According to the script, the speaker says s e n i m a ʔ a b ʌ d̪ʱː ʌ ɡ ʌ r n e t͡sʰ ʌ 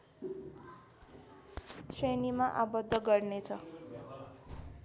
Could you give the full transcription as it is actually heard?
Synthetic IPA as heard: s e n i m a ʔ a b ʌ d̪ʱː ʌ ɡ ʌ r n e t͡sʰ ʌ